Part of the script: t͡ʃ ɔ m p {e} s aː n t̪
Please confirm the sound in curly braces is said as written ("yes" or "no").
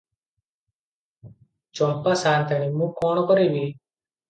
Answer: no